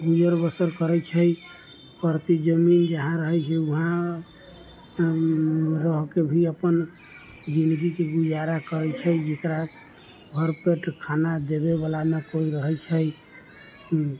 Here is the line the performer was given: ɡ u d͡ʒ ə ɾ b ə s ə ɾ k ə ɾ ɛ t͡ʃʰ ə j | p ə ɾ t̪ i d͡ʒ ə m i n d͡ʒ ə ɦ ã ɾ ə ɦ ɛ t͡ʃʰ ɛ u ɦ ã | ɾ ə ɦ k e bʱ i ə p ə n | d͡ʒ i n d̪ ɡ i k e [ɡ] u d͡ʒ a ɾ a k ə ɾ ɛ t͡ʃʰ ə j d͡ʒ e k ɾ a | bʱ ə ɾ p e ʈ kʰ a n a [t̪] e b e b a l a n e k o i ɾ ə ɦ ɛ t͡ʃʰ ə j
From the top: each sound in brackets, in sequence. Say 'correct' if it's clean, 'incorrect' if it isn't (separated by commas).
correct, incorrect